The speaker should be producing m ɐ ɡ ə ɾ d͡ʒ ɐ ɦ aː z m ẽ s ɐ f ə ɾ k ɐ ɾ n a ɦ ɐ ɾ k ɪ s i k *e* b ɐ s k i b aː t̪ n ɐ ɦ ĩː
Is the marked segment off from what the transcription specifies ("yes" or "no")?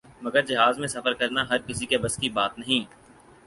no